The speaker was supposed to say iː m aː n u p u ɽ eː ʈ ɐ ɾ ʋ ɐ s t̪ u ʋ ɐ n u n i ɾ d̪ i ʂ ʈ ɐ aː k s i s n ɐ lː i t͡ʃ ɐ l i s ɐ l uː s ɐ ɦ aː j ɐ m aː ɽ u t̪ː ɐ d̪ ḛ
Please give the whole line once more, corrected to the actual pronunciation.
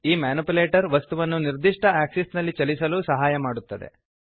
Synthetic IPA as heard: iː m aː n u p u l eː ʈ ɐ ɾ ʋ ɐ s t̪ u ʋ ɐ nː u n i ɾ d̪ i ʂ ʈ ɐ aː k s i s n ɐ lː i t͡ʃ ɐ l i s ɐ l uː s ɐ ɦ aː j ɐ m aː ɽ u t̪ː ɐ d̪ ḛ